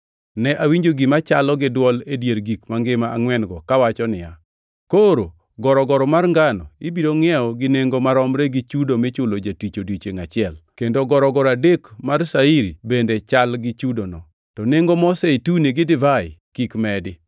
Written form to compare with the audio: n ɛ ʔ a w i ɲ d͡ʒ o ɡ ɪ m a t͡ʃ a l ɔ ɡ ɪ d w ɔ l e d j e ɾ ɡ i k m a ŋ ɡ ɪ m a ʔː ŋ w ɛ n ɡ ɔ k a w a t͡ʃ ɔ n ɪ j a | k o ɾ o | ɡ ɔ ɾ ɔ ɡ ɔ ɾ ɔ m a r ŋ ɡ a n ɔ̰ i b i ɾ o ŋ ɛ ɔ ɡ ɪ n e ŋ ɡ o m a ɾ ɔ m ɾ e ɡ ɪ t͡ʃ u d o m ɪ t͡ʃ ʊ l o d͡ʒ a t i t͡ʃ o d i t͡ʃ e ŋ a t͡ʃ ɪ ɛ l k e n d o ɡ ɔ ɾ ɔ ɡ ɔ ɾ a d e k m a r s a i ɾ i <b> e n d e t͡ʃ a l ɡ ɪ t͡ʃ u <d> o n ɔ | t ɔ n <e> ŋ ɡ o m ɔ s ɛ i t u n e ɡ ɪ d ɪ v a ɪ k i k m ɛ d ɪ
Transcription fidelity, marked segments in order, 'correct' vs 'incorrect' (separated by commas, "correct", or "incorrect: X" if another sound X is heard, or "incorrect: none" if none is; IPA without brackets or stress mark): correct, correct, correct